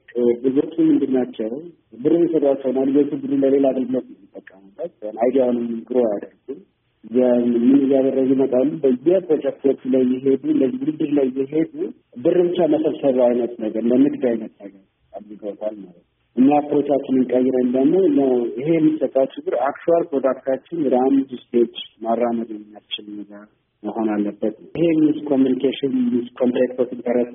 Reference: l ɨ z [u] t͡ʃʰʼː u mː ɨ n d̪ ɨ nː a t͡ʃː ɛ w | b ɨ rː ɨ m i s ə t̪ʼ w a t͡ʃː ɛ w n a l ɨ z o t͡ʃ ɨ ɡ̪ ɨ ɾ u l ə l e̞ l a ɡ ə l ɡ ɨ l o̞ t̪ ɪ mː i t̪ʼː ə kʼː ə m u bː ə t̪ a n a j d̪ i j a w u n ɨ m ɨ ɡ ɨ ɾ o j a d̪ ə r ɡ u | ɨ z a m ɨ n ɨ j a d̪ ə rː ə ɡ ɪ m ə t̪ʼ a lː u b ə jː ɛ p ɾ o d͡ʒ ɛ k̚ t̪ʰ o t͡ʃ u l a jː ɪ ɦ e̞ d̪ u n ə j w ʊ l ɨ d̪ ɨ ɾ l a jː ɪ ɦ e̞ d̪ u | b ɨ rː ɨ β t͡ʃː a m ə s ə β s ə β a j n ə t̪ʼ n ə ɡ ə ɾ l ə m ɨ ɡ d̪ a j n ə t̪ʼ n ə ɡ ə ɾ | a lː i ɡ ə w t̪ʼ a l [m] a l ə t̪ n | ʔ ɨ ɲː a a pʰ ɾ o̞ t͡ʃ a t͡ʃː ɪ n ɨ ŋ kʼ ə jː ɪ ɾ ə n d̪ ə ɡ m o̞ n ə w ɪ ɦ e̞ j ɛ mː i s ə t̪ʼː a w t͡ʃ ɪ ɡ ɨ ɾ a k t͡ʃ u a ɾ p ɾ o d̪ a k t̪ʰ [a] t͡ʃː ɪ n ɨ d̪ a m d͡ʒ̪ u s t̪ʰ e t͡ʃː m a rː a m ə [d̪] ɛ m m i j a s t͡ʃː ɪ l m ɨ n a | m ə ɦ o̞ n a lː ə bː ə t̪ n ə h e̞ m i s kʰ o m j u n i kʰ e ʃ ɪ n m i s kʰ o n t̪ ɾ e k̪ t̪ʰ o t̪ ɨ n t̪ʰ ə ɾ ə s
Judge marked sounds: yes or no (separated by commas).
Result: no, yes, yes, yes